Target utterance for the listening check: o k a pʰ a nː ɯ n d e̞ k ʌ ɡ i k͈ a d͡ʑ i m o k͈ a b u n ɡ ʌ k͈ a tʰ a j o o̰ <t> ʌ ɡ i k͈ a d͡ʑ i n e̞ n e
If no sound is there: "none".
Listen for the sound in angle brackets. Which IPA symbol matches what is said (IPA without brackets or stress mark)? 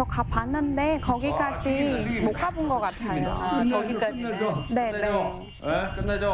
t͡ɕ